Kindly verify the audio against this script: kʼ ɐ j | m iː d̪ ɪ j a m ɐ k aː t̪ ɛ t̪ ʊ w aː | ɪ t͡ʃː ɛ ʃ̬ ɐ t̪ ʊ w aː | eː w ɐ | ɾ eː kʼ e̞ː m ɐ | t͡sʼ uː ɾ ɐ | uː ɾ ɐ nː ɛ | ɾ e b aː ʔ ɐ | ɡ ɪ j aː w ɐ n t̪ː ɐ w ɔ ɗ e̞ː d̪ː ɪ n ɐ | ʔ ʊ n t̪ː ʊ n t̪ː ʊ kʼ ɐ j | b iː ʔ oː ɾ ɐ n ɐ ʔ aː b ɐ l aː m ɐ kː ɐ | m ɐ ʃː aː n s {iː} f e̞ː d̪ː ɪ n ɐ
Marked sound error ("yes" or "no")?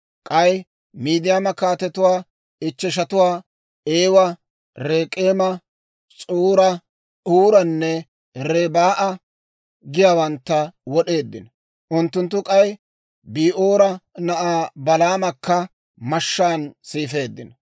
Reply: no